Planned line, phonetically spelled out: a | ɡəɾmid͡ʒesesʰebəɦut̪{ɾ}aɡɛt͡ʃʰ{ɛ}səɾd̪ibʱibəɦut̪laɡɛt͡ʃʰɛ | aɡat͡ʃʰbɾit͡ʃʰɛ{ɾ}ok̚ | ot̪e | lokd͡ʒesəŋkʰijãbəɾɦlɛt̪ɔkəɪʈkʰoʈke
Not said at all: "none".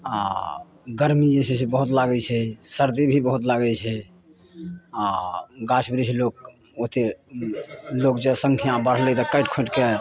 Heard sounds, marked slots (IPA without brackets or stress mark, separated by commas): l, ɛ, l